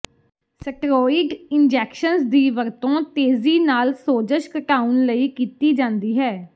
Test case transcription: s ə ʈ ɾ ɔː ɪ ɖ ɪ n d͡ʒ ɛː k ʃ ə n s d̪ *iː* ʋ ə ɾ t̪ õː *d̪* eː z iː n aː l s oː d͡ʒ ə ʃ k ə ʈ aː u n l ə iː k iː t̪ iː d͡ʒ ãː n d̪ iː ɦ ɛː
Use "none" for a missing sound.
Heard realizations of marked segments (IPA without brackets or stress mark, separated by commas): iː, t̪